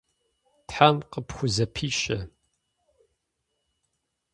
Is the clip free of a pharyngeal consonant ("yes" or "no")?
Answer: no